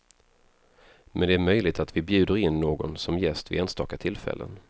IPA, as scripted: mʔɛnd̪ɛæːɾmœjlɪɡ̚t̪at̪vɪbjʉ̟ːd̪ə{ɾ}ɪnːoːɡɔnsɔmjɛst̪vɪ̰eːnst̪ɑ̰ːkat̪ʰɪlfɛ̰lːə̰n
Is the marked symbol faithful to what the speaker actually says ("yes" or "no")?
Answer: yes